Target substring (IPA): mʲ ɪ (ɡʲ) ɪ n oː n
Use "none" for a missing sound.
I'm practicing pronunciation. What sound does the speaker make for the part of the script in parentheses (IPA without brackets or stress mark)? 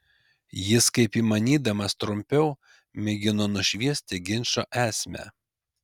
ɡʲ